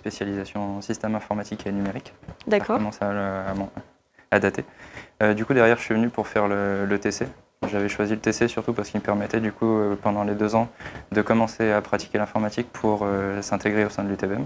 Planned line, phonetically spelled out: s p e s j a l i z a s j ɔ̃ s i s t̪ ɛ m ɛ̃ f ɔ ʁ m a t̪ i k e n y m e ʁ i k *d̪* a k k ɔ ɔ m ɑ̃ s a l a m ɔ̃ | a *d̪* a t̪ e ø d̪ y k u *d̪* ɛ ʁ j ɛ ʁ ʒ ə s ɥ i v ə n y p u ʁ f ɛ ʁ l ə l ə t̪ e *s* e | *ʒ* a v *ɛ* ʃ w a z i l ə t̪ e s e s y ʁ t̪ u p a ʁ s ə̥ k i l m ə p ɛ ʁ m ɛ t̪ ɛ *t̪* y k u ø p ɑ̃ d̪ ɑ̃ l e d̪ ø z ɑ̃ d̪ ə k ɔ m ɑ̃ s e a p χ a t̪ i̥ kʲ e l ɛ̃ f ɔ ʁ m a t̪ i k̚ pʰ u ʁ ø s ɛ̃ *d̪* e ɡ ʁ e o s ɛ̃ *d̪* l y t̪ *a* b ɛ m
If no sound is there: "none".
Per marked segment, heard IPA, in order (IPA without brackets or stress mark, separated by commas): d̪, d̪, d̪, s, ʒ, ɛ, d̪, t̪, d̪, e